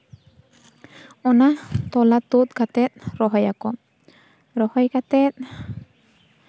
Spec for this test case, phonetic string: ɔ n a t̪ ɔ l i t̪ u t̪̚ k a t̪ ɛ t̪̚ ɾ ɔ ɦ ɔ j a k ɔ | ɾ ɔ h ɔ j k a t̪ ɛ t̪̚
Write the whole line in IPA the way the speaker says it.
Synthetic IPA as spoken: ɔ n a t̪ ɔ l a t̪ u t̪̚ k a t̪ ɛ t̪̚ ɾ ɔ ɦ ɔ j a k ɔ | ɾ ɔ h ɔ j k a t̪ ɛ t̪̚

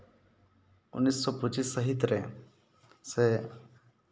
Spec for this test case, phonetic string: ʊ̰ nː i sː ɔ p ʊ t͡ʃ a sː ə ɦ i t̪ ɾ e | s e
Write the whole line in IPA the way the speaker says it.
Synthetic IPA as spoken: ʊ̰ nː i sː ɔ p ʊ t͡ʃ i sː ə ɦ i t̪ ɾ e | s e

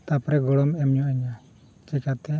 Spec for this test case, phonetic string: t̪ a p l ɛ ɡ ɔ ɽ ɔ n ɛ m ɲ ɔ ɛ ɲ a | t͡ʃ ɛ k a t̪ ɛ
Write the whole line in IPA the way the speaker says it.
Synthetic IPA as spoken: t̪ a p ɾ ɛ ɡ ɔ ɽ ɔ m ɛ m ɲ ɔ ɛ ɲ a | t͡ʃ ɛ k a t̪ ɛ

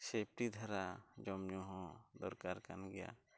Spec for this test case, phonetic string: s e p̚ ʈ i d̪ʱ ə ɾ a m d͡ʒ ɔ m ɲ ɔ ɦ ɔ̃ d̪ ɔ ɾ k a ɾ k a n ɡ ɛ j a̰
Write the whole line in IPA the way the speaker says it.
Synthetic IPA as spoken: s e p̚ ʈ i d̪ʱ a ɾ a d͡ʒ ɔ m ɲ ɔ ɦ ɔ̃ d̪ ɔ ɾ k a ɾ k a n ɡ ɛ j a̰

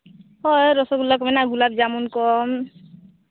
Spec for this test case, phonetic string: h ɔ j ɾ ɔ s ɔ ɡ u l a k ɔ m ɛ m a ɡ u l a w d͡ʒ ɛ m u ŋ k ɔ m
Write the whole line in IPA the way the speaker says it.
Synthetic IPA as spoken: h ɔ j ɾ ɔ s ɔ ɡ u l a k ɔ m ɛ n a ɡ u l a b d͡ʒ a m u n k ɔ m

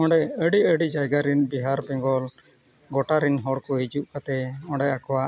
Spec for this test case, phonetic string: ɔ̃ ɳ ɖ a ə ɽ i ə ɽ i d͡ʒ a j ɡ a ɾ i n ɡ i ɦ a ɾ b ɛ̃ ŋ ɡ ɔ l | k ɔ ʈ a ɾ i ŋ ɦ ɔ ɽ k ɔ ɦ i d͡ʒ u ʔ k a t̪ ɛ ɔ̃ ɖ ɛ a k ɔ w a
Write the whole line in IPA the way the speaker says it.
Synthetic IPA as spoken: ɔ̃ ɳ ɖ ɛ ə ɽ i ə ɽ i d͡ʒ a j ɡ a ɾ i n b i ɦ a ɾ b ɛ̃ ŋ ɡ ɔ l | ɡ ɔ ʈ a ɾ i n ɦ ɔ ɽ k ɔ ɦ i d͡ʒ u ʔ k a t̪ ɛ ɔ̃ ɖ ɛ a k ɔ w a

